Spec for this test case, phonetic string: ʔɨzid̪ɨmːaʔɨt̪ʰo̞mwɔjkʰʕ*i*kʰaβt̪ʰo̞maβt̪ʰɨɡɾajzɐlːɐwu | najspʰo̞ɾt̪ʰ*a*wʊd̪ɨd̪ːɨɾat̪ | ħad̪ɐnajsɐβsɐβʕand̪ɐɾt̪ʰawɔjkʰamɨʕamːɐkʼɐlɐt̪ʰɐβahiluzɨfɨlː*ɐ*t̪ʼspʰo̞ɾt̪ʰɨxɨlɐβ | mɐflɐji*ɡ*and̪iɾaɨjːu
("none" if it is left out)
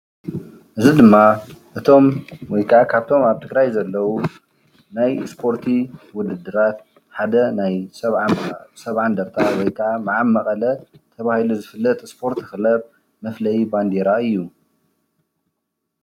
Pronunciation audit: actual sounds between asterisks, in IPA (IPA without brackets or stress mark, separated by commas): a, i, ɐ, b